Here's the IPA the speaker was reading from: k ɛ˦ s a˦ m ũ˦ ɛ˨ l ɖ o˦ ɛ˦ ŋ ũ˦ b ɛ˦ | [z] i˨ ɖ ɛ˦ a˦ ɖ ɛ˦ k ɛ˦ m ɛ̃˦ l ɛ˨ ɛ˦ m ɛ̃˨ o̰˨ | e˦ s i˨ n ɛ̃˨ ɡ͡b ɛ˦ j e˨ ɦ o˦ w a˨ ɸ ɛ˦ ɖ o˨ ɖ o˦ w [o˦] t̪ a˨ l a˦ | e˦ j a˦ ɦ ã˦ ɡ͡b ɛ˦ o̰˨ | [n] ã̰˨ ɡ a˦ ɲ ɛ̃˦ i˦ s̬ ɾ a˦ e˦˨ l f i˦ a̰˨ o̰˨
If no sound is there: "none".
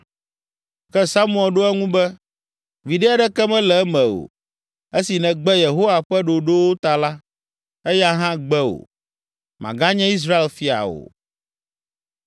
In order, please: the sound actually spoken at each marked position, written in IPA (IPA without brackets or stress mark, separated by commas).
v, o˦, m